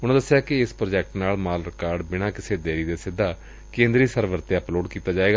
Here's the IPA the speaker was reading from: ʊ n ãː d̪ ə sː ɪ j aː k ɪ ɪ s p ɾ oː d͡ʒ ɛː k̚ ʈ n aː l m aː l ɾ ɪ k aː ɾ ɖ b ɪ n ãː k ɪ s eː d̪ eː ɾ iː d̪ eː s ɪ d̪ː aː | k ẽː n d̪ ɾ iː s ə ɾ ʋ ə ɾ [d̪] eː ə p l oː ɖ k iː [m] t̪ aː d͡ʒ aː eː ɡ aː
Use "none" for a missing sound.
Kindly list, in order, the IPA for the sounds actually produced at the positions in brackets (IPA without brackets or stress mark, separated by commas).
t̪, none